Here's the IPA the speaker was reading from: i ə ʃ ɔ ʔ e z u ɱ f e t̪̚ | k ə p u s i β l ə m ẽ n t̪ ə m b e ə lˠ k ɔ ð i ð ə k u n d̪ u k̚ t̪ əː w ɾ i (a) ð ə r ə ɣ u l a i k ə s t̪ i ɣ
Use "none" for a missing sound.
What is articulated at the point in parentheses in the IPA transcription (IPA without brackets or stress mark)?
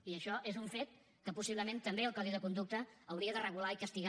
ə